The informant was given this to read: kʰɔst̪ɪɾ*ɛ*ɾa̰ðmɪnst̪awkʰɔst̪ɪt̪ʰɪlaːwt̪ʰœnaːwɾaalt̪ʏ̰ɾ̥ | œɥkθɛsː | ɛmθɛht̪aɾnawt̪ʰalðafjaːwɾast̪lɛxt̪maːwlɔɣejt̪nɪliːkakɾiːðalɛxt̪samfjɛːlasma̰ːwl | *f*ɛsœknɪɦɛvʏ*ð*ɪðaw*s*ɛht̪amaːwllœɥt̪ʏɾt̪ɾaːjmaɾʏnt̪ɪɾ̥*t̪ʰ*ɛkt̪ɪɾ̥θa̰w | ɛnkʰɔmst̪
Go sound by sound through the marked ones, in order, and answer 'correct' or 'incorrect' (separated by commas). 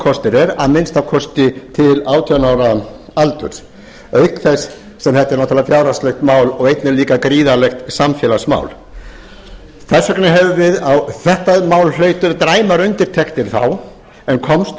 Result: correct, incorrect, incorrect, incorrect, correct